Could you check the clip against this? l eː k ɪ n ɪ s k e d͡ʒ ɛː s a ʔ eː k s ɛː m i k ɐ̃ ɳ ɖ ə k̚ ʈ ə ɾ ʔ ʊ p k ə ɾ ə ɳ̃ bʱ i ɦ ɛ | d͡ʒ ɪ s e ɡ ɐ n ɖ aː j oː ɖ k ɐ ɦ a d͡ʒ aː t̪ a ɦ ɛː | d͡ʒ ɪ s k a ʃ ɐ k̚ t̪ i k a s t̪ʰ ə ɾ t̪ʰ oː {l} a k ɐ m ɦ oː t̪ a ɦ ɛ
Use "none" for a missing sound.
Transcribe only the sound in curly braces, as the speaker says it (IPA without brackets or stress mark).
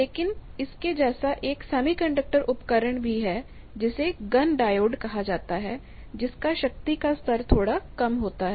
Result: ɽ